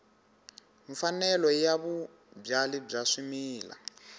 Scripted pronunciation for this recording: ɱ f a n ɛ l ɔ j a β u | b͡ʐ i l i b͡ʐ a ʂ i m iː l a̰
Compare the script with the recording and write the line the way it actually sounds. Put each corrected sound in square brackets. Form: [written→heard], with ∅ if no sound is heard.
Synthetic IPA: ɱ f a n ɛ l ɔ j a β u | b͡ʐ [i→a] l i b͡ʐ a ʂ i m iː l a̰